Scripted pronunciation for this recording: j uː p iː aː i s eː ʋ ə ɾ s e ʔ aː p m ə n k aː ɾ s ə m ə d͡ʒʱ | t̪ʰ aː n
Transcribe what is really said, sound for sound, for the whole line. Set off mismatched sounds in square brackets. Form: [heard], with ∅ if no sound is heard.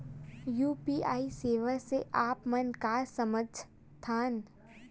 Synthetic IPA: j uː p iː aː i s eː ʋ ə ɾ s e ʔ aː p m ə n k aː ɾ s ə m ə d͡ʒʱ | t̪ʰ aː n